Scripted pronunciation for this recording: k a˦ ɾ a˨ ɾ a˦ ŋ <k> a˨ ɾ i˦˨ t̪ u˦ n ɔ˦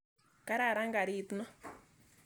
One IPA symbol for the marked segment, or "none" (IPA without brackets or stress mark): ɡ